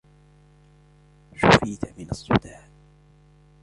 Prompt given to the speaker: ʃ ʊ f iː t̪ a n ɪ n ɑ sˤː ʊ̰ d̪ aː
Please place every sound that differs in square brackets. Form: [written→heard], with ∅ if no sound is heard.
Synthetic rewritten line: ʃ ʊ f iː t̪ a [n→m] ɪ n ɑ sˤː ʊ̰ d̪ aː

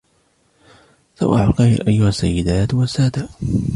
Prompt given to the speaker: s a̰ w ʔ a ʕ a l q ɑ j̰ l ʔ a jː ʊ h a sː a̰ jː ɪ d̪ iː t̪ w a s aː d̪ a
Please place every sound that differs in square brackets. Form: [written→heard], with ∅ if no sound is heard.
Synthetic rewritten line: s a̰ w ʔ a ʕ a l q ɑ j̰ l ʔ a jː ʊ h a sː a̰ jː ɪ d̪ [iː→aː] t̪ w a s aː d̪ a

